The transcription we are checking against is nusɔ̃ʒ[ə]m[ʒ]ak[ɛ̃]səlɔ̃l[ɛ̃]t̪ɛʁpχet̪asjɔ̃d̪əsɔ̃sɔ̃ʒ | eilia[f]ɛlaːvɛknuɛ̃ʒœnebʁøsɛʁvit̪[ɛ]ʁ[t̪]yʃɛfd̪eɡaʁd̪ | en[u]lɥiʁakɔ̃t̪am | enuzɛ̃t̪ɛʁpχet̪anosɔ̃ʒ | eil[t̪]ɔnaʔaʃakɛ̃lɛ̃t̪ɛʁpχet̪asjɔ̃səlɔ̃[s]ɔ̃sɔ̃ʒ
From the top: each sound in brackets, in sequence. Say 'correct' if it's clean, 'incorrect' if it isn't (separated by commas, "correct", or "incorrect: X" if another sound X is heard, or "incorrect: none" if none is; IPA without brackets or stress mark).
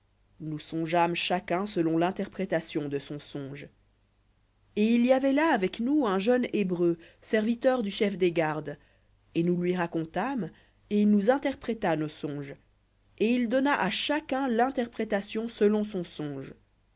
incorrect: a, incorrect: ʃ, correct, correct, incorrect: v, incorrect: œ, incorrect: d̪, correct, incorrect: d̪, correct